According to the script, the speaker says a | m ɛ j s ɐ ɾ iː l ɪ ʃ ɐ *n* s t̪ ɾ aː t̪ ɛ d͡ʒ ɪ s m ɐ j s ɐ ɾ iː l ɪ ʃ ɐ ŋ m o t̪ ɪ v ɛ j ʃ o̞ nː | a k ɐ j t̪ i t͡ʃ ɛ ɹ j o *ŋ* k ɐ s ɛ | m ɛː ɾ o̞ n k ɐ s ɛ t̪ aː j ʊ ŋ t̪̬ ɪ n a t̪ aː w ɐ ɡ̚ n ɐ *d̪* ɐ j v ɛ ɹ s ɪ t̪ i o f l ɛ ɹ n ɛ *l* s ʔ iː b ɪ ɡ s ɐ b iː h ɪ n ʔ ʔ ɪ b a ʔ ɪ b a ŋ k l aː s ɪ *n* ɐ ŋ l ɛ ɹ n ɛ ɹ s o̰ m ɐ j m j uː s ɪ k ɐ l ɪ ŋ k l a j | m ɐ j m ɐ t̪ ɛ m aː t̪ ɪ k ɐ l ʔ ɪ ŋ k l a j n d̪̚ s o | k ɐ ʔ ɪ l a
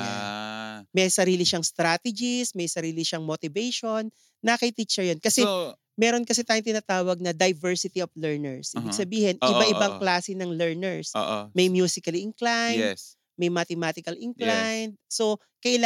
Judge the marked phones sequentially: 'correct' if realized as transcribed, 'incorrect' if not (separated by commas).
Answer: incorrect, incorrect, correct, incorrect, correct